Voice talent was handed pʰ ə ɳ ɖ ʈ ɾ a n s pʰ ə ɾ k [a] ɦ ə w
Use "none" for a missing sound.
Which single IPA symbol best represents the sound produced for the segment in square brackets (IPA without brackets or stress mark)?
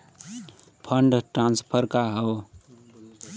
a